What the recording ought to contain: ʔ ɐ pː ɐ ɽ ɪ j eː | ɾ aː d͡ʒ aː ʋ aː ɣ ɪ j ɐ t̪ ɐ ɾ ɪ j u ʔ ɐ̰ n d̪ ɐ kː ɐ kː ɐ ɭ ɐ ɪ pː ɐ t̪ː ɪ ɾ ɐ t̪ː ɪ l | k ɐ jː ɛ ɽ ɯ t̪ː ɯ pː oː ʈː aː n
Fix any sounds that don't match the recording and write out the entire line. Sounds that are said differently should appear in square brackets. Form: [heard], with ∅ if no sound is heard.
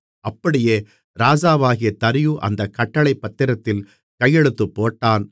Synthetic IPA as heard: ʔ ɐ pː ɐ ɽ ɪ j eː | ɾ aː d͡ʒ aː ʋ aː ɣ ɪ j ɐ t̪ ɐ ɾ ɪ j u ʔ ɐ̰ n d̪ ɐ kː ɐ [ʈː] ɐ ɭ ɐ ɪ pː ɐ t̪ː ɪ ɾ ɐ t̪ː ɪ l | k ɐ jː ɛ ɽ ɯ t̪ː ɯ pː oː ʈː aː n